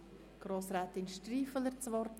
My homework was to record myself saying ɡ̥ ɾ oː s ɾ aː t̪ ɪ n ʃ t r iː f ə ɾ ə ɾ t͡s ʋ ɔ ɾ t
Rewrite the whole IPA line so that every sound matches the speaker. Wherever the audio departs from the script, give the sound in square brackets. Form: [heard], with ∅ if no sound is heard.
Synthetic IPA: ɡ̥ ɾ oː s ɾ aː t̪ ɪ n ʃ t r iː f ə [l] ə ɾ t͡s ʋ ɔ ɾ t